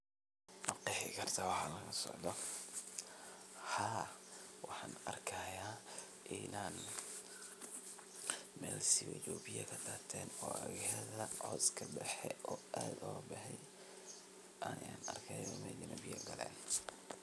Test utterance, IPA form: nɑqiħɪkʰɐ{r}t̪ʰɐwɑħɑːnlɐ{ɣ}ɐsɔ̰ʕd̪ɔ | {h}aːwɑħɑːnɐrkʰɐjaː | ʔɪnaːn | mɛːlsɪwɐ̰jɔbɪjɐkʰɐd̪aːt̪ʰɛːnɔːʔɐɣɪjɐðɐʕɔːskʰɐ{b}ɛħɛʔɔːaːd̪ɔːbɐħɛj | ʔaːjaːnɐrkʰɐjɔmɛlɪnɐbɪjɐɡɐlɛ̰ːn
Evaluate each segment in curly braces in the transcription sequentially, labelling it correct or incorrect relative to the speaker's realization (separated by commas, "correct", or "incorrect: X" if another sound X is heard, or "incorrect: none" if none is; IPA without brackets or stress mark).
correct, correct, correct, correct